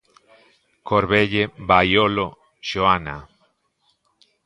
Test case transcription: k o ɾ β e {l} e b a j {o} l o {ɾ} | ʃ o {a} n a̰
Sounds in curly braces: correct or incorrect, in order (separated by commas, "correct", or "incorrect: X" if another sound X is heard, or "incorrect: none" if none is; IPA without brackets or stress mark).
incorrect: ʎ, correct, incorrect: none, correct